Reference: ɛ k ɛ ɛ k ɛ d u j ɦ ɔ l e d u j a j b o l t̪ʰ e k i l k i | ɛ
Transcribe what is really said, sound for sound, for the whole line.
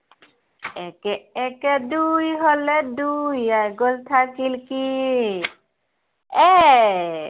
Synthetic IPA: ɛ k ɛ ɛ k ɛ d u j ɦ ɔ l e d u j a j ɡ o l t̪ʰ a k i l k i | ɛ